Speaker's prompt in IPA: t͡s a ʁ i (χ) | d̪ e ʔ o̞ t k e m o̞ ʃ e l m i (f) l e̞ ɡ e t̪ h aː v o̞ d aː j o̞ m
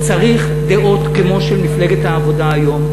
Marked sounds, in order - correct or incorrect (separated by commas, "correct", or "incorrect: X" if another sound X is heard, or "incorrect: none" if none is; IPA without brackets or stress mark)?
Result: correct, correct